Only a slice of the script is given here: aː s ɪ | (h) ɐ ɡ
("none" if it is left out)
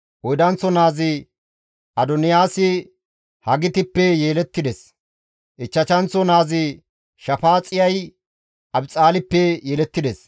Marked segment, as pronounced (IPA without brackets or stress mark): h